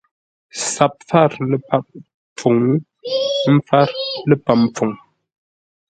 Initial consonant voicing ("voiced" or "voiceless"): voiceless